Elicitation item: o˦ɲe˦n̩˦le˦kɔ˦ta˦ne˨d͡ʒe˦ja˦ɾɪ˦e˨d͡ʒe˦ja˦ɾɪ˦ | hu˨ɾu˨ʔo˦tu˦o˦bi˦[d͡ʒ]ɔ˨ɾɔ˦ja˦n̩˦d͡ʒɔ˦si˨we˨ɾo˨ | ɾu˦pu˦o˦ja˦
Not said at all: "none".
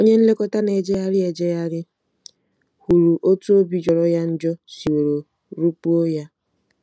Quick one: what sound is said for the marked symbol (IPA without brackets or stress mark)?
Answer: d͡ʒ